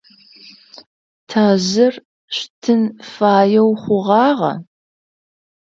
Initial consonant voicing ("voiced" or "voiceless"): voiceless